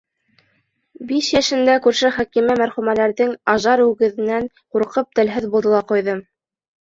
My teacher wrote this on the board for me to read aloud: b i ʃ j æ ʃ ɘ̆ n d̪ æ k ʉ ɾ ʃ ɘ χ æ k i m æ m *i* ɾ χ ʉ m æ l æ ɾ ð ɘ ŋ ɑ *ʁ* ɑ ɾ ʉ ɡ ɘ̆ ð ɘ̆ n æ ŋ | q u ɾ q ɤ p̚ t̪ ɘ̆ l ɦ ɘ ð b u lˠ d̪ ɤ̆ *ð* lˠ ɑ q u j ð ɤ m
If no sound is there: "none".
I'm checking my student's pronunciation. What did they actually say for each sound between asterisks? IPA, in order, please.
æ, ʒ, none

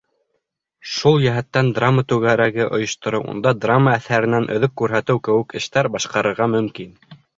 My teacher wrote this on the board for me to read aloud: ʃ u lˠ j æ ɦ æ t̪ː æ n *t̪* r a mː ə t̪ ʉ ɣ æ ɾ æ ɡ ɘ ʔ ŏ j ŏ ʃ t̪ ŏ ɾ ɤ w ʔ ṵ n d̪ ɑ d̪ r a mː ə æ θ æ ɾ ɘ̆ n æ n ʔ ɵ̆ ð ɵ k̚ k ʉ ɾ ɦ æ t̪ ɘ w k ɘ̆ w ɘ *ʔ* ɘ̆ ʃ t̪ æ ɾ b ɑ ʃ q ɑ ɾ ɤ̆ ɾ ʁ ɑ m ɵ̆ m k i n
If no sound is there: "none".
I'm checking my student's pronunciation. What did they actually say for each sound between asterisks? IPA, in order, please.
d̪, k

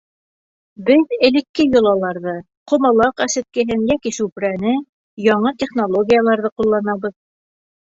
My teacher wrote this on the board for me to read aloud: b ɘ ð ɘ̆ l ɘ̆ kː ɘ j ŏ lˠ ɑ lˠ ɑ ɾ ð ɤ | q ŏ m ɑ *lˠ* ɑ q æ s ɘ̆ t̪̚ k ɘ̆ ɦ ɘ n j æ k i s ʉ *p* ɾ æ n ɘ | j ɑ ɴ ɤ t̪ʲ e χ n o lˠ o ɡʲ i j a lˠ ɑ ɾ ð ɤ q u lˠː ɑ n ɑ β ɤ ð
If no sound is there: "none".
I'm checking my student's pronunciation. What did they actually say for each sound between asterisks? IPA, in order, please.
lˠ, p

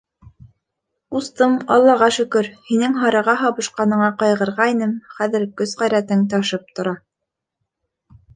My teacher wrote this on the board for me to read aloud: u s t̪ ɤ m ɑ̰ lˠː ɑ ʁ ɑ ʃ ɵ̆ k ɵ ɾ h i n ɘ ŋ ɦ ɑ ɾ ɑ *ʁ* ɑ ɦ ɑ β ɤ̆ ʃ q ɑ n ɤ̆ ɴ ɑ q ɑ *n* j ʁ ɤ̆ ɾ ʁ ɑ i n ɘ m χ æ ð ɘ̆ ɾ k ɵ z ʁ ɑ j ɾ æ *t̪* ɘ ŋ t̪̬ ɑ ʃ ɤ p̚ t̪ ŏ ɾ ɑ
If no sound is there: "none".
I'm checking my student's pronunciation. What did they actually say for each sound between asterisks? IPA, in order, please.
ʁ, none, t̪

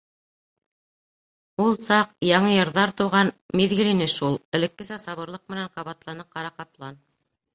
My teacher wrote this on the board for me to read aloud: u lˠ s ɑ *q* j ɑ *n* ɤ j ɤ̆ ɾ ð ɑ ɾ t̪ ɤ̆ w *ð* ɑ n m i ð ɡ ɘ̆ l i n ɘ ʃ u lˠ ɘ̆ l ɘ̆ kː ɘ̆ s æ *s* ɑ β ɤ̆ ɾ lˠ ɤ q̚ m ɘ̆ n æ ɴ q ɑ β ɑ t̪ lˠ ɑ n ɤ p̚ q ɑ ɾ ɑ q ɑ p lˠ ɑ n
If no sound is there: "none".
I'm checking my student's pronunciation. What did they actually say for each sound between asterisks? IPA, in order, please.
q, ɴ, ʁ, s

